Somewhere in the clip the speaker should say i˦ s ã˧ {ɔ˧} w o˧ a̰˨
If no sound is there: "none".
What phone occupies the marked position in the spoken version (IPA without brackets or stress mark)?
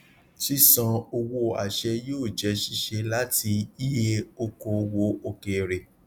o˧